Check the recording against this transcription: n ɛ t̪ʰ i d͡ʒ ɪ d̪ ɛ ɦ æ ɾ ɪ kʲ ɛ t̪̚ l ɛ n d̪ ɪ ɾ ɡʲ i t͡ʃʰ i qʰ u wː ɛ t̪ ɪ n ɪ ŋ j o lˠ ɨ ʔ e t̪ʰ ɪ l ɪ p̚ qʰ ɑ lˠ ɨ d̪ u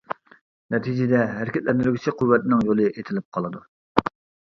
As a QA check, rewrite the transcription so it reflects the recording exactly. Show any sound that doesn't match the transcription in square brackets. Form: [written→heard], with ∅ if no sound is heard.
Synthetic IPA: n ɛ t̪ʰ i d͡ʒ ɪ d̪ ɛ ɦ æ ɾ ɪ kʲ ɛ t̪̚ l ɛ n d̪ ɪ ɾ ɡʲ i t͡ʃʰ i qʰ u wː ɛ t̪ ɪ n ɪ ŋ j o lˠ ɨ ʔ e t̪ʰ ɪ l ɪ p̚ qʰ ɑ lˠ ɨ d̪ u